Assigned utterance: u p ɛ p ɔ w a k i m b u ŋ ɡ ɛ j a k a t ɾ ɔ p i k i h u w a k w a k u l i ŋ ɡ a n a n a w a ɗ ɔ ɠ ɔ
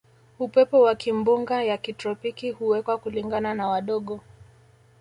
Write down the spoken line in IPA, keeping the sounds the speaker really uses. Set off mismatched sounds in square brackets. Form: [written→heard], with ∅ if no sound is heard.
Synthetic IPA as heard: u p ɛ p ɔ w a k i m b u ŋ ɡ [ɛ→a] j a k [a→i] t ɾ ɔ p i k i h u w [a→ɛ] k w a k u l i ŋ ɡ a n a n a w a ɗ ɔ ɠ ɔ